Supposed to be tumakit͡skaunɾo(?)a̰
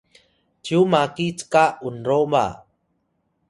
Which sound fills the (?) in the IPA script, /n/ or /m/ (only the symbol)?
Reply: m